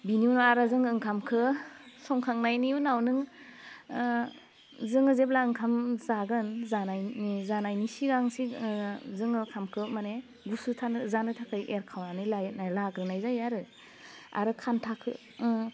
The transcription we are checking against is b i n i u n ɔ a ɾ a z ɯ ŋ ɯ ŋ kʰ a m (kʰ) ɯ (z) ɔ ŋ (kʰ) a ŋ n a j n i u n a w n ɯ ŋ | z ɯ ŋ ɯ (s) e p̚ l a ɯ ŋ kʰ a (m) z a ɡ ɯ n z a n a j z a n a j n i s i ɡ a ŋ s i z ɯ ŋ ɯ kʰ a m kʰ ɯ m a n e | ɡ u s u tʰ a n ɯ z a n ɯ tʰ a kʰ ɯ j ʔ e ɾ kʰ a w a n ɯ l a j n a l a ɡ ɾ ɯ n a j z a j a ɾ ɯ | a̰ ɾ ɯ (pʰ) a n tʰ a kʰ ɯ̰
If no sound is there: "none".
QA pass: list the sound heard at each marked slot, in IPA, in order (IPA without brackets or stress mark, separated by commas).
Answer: kʰ, s, kʰ, z, m, kʰ